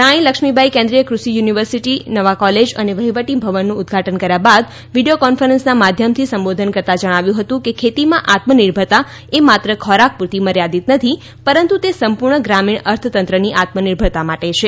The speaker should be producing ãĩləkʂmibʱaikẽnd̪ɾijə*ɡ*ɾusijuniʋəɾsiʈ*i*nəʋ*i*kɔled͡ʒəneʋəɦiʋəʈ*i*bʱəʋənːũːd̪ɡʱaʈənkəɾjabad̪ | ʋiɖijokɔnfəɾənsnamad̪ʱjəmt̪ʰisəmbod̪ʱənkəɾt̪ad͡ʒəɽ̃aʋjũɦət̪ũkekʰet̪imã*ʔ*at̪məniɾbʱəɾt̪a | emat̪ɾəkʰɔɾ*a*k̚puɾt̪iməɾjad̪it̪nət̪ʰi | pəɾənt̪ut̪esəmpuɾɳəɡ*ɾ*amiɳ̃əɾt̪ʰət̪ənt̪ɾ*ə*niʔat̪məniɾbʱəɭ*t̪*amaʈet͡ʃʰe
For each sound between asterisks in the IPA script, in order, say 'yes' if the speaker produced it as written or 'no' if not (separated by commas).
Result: no, yes, no, yes, yes, yes, yes, yes, yes